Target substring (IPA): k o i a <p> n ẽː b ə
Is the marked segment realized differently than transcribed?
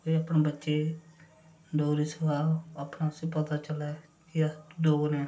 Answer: no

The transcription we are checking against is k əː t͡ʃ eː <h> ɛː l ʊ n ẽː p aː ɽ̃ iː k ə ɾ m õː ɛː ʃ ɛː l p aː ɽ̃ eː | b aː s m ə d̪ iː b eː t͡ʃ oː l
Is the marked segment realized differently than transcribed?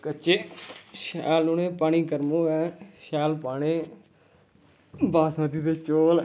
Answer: yes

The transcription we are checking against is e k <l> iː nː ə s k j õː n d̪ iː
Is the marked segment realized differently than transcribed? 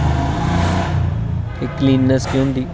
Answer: no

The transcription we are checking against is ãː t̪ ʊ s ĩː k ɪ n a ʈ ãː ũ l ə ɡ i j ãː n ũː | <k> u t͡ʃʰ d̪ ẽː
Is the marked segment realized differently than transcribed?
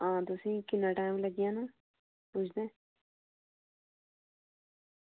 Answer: yes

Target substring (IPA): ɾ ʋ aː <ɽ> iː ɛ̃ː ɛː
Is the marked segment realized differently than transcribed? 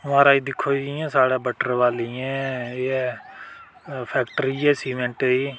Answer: yes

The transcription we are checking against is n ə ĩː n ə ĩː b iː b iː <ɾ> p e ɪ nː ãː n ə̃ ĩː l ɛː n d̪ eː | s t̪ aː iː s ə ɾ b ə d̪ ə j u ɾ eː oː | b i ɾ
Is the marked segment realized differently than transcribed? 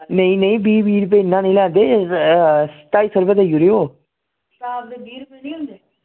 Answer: no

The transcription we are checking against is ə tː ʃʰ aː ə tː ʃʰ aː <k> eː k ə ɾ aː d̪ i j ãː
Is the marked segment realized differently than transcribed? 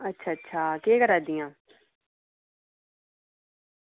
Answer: no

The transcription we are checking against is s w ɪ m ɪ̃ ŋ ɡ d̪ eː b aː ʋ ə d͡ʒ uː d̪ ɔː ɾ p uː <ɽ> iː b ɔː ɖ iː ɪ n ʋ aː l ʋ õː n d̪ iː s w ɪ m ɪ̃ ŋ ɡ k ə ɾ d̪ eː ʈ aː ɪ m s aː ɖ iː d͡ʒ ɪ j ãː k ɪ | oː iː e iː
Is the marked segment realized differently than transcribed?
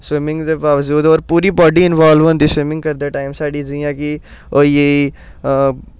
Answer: yes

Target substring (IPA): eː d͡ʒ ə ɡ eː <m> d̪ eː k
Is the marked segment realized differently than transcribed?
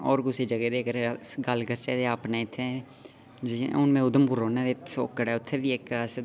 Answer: yes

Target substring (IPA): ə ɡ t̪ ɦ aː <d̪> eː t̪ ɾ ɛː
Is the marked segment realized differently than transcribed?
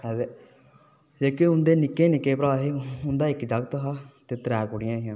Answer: yes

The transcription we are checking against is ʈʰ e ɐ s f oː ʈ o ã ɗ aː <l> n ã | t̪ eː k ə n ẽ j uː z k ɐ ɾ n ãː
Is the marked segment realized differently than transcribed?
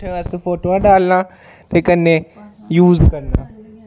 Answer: no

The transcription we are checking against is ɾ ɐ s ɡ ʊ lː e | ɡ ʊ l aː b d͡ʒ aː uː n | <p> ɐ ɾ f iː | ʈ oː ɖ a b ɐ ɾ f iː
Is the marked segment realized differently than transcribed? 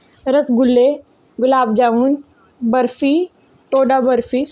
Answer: yes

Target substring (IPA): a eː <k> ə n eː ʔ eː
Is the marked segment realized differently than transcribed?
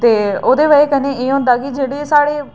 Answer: no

